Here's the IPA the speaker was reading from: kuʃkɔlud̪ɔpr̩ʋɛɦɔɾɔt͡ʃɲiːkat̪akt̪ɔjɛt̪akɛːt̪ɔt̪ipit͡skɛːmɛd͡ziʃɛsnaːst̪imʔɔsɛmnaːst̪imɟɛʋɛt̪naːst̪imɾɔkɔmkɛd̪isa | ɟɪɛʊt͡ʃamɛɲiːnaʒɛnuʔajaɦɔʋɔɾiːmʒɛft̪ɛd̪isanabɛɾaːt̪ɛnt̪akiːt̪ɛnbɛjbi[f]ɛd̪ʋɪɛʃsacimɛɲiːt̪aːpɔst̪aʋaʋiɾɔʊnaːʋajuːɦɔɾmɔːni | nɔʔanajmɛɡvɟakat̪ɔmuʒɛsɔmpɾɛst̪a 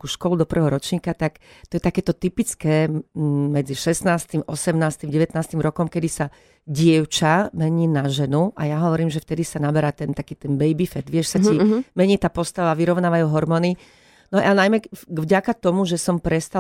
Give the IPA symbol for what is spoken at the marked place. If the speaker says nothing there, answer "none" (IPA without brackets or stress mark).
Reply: f